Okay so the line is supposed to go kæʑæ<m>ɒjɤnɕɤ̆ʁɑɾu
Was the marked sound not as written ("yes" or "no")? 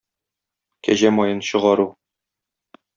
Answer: no